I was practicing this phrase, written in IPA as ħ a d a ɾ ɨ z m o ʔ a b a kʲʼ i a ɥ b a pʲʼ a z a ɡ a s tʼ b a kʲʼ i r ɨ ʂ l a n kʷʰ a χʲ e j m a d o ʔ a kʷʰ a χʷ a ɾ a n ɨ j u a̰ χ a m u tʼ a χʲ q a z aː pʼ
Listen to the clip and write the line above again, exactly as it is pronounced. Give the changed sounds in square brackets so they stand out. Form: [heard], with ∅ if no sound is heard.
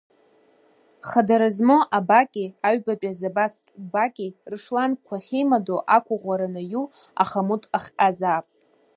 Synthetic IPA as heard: [χ] a d a ɾ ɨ z m o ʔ a b a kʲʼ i a ɥ b a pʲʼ a z a [b] a s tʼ b a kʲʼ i r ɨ ʂ l a n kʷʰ a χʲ e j m a d o ʔ a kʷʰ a [ʁʷ] a ɾ a n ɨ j u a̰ χ a m u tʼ a χʲ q a z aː pʼ